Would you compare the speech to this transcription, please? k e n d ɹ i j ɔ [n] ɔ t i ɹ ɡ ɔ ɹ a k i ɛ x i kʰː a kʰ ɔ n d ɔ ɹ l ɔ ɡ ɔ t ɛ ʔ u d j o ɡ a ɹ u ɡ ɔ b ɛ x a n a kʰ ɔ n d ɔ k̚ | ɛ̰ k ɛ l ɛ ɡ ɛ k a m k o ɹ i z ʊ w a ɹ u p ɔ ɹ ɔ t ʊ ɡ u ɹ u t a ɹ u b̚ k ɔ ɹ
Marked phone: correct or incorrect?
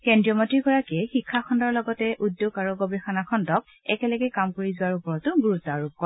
incorrect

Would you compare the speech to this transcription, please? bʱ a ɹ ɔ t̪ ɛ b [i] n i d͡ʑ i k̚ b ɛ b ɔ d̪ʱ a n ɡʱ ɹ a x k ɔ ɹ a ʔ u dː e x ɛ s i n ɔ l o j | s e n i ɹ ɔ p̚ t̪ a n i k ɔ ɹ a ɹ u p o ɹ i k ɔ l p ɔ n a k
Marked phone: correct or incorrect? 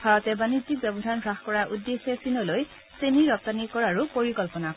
incorrect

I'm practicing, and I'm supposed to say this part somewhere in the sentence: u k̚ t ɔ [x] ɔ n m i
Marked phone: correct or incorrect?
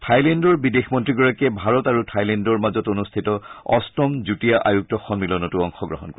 correct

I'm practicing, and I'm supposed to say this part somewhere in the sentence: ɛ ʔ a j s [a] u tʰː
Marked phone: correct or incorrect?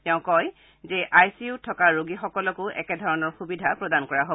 incorrect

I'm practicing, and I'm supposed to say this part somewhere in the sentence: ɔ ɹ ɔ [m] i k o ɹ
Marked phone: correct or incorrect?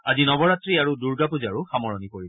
incorrect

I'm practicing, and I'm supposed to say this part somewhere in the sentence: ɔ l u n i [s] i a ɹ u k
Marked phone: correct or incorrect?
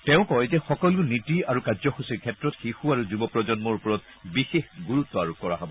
incorrect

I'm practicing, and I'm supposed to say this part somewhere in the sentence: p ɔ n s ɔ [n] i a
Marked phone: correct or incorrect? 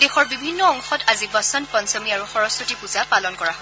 incorrect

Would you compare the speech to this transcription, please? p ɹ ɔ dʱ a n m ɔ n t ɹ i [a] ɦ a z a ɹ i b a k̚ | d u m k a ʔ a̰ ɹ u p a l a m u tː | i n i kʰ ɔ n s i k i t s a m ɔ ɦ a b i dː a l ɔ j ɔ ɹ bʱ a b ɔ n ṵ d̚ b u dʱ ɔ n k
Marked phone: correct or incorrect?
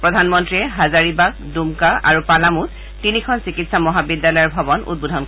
incorrect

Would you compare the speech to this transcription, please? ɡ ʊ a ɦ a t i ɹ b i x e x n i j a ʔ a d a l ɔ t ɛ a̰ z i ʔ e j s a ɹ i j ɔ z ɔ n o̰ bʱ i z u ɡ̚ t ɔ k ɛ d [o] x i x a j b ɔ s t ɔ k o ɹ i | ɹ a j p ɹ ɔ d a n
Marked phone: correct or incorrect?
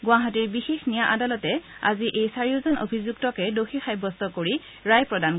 correct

